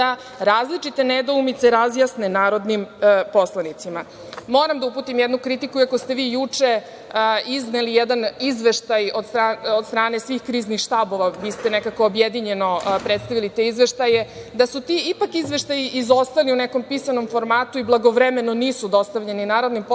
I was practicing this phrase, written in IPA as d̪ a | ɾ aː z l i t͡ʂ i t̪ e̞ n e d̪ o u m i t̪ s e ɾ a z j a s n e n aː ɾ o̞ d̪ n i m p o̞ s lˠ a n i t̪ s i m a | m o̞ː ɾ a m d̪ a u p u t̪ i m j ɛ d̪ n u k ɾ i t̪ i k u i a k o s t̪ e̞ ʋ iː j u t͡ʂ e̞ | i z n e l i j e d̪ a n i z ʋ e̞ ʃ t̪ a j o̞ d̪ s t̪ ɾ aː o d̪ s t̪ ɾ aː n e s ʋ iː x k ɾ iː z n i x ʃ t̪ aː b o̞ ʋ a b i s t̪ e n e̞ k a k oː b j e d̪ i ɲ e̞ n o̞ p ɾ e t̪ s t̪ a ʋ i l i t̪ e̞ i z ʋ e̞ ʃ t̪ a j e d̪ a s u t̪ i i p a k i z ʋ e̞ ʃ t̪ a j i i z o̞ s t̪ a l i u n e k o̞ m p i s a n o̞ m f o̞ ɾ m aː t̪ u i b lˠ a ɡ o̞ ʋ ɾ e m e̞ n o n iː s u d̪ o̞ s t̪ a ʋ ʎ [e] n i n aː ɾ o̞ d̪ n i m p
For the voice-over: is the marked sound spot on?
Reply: yes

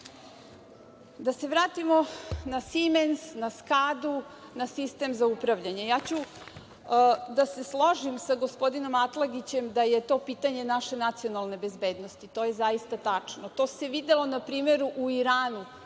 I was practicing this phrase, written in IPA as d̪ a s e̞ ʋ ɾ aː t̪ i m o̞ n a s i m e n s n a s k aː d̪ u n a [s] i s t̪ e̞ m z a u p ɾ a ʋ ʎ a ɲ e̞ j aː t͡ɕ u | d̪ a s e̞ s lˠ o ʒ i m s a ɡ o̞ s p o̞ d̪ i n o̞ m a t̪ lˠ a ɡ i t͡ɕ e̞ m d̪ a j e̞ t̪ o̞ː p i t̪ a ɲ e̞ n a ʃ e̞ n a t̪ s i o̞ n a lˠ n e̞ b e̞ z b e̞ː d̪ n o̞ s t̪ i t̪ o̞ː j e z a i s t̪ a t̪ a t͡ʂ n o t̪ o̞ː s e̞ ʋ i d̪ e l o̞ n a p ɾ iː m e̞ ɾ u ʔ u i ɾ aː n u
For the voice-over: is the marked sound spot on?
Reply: yes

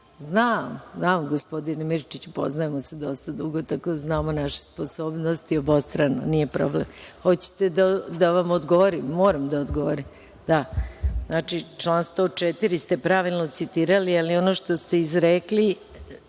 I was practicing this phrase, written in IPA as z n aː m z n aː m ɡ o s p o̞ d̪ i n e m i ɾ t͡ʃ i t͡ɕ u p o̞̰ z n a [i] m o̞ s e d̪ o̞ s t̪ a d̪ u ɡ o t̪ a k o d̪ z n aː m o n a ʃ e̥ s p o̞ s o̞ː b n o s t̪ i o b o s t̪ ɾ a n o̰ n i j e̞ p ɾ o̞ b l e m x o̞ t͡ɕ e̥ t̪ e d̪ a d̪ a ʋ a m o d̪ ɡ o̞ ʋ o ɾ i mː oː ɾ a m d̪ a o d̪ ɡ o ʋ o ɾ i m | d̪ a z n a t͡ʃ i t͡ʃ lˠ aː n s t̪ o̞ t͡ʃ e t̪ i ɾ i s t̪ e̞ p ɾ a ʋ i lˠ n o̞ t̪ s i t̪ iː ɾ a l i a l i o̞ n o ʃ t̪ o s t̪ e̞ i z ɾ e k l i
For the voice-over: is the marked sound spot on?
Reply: no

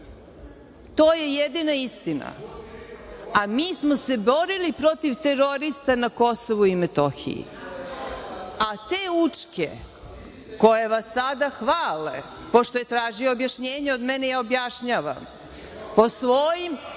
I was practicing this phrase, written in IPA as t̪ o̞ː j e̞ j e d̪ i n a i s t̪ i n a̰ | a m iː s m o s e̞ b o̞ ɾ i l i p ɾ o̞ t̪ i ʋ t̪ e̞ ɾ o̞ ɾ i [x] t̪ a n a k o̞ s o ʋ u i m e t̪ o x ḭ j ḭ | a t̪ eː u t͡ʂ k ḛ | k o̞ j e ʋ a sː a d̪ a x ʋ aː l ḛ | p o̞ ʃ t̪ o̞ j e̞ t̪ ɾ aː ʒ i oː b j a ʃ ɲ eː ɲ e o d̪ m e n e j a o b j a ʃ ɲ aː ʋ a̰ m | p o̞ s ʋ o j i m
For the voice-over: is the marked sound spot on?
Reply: no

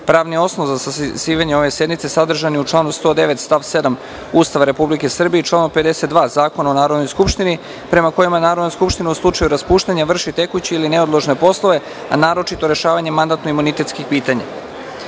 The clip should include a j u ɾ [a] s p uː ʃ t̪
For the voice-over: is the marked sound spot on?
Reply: yes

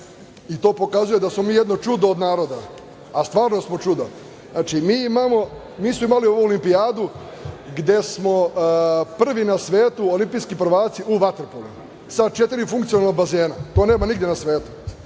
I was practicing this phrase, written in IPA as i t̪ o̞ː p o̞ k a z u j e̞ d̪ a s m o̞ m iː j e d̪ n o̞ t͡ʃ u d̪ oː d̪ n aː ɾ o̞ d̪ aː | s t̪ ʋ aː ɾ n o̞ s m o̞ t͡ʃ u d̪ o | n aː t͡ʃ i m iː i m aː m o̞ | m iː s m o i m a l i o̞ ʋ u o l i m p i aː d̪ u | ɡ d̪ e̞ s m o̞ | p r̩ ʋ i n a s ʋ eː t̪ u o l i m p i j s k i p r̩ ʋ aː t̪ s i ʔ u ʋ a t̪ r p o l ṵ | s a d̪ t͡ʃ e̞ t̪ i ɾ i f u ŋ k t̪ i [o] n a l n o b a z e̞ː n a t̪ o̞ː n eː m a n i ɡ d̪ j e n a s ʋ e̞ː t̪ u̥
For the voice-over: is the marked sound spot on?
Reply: yes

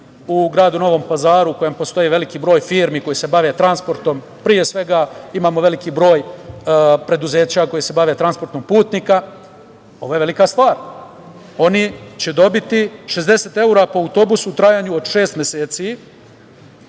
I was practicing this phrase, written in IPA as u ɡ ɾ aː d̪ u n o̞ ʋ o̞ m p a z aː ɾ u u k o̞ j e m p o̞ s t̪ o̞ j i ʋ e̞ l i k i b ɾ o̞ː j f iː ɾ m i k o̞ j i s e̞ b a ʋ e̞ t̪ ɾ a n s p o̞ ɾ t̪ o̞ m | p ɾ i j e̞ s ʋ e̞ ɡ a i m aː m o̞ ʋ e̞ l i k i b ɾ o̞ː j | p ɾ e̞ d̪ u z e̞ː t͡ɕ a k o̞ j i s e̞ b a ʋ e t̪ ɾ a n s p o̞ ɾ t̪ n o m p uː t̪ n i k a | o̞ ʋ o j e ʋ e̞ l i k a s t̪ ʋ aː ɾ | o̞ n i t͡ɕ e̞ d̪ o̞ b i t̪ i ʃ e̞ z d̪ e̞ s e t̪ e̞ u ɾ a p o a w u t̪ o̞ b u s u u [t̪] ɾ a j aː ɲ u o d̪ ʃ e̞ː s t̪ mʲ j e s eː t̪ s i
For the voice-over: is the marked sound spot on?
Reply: yes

